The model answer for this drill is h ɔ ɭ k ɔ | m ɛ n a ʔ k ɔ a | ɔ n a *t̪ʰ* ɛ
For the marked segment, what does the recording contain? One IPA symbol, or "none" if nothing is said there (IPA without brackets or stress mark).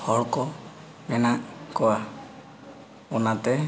t̪